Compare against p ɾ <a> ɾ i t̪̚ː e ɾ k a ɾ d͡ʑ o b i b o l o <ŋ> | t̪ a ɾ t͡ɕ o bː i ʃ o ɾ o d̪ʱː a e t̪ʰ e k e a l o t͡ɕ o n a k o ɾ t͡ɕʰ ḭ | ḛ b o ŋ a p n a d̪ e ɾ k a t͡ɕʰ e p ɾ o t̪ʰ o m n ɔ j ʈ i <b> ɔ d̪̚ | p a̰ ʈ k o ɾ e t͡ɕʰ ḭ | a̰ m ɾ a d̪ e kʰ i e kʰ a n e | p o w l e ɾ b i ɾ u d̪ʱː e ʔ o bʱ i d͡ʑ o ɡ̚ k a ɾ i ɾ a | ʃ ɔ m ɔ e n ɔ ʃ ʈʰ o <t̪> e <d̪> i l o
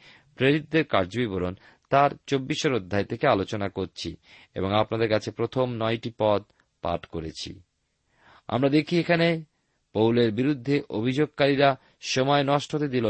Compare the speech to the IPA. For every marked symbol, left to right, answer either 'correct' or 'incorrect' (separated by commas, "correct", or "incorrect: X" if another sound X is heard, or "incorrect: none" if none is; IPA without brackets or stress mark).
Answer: incorrect: e, incorrect: n, incorrect: p, correct, correct